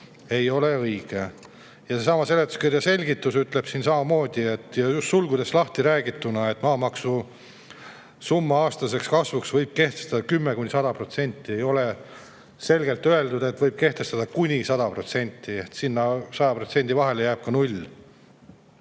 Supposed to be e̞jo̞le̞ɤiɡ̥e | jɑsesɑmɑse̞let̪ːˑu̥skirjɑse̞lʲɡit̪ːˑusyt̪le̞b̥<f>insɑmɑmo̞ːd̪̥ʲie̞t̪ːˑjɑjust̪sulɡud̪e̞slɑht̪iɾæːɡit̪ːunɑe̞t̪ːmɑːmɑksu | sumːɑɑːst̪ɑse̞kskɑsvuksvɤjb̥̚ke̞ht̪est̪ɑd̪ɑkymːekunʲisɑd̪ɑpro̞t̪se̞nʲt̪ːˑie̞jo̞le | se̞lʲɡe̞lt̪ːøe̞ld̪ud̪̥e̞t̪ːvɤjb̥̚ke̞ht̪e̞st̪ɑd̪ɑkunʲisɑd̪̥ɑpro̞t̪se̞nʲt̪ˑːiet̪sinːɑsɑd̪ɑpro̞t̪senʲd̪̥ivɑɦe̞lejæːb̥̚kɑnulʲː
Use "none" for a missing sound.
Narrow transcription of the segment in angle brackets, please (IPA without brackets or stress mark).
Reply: s